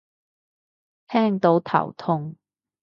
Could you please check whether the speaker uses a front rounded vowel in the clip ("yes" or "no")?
no